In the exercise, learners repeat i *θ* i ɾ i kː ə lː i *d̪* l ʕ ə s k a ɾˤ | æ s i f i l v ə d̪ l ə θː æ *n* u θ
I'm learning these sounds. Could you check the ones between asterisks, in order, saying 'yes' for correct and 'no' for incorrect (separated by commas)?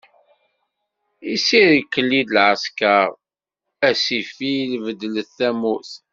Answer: no, yes, no